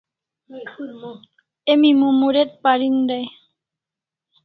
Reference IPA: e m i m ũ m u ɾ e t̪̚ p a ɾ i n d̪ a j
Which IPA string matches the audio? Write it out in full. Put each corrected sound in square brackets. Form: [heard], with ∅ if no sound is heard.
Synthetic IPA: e m i m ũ m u ɾ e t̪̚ p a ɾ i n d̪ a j